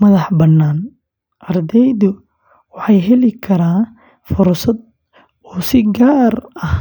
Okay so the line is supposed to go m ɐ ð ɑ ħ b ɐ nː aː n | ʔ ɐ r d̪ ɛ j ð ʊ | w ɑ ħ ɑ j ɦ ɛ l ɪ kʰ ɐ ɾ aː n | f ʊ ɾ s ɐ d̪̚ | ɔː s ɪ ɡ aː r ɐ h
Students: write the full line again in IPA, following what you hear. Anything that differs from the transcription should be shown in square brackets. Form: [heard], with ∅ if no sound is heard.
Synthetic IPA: m ɐ ð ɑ ħ b ɐ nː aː n | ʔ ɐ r d̪ ɛ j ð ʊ | w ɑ ħ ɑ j ɦ ɛ l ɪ kʰ ɐ ɾ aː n | f ʊ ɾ s ɐ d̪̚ | ɔː s ɪ ɡ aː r ɐ h